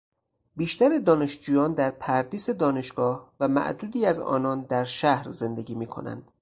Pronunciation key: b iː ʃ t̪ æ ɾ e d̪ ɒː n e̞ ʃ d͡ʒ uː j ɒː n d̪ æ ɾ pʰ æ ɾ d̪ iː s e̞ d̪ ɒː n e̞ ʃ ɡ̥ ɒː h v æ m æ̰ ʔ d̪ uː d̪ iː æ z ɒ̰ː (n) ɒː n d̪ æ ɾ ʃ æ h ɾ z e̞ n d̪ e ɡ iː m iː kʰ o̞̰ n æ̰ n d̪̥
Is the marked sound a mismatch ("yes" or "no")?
no